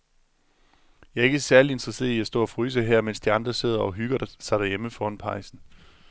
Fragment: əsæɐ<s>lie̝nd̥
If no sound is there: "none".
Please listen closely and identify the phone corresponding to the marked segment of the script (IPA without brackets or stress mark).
none